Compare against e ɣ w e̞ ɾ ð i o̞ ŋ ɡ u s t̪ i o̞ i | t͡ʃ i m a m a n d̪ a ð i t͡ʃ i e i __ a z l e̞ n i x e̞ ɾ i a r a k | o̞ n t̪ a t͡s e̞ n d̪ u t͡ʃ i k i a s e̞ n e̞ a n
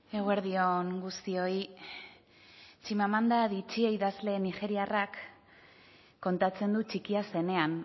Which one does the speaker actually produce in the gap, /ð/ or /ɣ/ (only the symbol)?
ð